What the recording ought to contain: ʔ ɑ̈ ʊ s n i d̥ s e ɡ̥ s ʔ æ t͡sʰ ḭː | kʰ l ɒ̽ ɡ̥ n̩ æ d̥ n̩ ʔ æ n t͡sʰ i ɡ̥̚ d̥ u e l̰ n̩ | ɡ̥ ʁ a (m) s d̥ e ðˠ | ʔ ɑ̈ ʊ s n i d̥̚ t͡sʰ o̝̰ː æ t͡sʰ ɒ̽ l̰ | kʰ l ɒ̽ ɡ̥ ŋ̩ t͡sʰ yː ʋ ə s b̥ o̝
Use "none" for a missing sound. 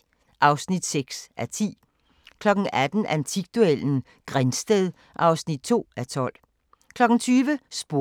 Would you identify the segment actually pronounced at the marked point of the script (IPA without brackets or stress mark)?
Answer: n